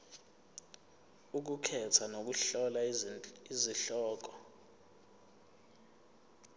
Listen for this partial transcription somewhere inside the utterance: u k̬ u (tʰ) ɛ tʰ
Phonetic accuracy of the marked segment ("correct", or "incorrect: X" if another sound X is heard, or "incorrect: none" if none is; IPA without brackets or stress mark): incorrect: kʰ